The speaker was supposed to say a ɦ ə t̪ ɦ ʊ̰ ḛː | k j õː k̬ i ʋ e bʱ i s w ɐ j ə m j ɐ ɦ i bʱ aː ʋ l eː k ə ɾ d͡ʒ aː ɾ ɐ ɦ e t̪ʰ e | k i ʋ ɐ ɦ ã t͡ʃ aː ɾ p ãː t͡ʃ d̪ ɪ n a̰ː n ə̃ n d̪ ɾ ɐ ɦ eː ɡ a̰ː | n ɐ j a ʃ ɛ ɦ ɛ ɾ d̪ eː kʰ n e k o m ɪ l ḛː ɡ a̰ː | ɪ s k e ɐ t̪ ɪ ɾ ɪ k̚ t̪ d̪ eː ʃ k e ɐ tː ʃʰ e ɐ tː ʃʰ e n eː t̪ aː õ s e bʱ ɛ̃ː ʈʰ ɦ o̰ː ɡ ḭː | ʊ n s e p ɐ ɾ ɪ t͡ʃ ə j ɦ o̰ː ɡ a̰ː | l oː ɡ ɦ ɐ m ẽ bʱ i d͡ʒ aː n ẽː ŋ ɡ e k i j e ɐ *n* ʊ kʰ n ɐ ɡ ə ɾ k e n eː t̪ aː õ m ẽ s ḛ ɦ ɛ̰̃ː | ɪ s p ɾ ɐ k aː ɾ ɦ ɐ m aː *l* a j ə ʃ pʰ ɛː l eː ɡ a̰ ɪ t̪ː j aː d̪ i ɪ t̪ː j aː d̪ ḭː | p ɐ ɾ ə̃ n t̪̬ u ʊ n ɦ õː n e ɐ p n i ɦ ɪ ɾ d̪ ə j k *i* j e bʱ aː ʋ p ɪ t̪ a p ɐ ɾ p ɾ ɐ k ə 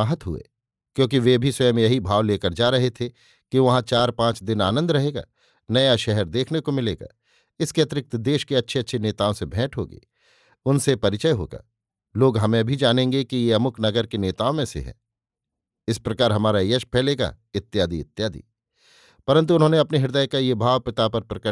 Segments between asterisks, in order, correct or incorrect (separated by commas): incorrect, incorrect, incorrect